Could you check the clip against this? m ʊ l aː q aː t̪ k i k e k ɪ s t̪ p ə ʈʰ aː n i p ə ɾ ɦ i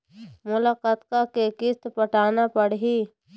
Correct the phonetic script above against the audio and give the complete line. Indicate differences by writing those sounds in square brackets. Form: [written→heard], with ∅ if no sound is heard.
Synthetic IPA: m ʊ l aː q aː t̪ k [i→a] k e k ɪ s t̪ p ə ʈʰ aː n [i→a] p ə [ɾ→ɽ] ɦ i